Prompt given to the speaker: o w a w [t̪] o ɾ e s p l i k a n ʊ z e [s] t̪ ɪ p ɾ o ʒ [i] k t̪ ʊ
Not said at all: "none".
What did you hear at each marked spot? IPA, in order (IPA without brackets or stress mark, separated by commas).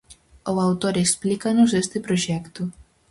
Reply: t̪, s, ɛ